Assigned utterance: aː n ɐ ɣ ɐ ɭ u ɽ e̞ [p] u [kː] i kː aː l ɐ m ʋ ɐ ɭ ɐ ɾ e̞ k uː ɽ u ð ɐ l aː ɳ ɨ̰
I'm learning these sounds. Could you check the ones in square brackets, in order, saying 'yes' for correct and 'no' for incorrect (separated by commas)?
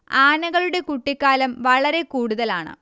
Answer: no, no